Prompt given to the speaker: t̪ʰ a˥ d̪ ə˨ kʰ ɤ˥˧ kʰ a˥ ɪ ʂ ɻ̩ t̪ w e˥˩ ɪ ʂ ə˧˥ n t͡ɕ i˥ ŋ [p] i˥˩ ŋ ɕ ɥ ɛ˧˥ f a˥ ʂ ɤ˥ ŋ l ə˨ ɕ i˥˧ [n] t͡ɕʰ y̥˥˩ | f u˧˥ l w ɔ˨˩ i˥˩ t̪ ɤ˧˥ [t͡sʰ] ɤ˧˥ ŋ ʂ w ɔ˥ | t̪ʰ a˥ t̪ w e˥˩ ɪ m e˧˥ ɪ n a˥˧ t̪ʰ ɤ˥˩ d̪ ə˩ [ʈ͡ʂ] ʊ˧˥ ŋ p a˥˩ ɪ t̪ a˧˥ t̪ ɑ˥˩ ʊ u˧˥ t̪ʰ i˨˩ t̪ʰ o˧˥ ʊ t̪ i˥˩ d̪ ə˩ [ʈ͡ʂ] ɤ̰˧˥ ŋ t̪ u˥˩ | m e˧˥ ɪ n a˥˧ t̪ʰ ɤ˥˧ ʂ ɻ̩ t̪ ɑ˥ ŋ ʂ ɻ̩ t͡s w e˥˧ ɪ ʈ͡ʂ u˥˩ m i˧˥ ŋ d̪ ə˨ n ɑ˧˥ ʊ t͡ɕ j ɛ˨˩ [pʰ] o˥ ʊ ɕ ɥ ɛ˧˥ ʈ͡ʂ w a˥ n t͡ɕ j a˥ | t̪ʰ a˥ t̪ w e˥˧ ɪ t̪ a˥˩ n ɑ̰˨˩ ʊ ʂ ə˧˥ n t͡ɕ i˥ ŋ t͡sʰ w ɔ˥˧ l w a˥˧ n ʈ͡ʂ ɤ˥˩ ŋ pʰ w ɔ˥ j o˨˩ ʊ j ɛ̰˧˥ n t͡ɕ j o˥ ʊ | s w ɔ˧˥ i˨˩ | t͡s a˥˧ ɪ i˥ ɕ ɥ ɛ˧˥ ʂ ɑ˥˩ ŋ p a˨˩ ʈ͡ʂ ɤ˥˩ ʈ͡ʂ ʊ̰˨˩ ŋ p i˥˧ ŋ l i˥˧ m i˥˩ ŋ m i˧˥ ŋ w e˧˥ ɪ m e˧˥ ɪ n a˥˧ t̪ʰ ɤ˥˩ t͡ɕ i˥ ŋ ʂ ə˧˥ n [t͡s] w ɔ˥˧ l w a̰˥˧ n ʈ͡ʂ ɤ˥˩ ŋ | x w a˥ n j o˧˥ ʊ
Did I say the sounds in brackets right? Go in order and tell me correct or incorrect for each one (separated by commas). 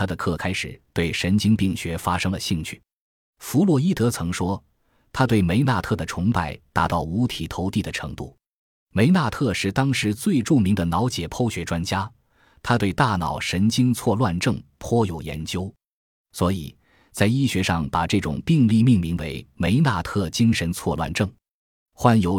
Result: correct, incorrect, correct, incorrect, incorrect, correct, incorrect